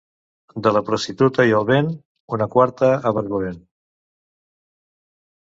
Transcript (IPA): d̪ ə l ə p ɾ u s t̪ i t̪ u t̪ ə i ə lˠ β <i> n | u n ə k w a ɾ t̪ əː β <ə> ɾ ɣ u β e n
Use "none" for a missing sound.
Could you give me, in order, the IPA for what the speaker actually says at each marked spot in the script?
e, ə

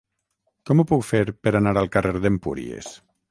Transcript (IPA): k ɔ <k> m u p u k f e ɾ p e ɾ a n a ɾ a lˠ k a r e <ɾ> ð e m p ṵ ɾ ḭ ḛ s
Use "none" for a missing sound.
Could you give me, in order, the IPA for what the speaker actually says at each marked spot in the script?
none, ɾ

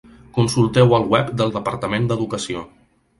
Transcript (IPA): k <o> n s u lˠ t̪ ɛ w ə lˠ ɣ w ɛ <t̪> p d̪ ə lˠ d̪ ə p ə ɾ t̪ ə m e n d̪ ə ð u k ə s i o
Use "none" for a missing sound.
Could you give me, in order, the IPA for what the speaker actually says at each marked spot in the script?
u, none

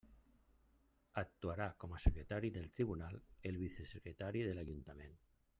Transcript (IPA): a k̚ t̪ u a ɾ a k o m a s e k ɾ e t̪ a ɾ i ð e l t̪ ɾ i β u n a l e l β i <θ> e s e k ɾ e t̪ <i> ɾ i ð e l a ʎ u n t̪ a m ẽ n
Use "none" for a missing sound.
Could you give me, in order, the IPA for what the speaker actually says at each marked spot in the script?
θ, a

